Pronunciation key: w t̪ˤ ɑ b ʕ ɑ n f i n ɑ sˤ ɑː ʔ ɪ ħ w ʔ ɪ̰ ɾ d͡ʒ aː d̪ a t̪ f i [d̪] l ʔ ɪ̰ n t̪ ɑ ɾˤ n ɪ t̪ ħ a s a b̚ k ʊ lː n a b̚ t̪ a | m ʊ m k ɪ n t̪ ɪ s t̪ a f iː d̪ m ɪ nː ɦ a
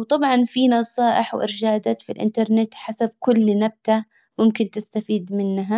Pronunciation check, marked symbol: incorrect: none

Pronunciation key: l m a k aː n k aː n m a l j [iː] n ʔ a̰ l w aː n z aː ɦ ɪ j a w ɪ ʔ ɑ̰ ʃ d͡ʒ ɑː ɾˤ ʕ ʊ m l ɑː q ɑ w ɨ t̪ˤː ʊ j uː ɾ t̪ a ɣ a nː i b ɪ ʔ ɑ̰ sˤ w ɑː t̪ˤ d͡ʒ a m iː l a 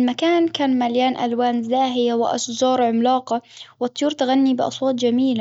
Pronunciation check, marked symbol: incorrect: aː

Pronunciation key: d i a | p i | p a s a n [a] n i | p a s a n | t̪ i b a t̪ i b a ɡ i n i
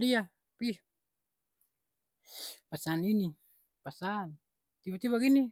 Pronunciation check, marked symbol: incorrect: i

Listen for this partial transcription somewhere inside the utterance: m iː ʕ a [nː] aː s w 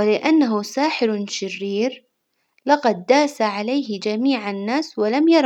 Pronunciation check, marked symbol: correct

